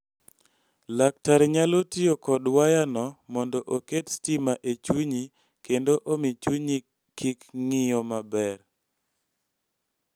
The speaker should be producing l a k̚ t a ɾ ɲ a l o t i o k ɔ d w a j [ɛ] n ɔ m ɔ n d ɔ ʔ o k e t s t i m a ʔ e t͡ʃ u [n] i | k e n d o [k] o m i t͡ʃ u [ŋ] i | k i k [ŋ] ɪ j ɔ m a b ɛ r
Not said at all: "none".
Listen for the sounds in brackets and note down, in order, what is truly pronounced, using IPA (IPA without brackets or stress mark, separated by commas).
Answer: a, ɲ, ʔ, ɲ, ŋ